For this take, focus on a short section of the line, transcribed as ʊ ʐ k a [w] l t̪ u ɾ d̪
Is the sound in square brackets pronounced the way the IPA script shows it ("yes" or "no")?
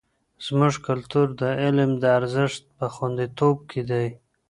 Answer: no